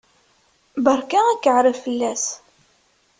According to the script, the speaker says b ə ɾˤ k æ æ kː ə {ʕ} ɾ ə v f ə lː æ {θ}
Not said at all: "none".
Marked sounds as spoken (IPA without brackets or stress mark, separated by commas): ʕ, s